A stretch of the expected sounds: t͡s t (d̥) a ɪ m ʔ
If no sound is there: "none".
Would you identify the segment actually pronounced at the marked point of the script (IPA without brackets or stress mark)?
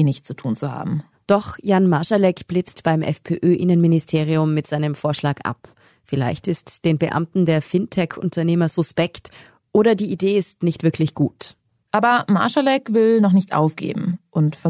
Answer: b̥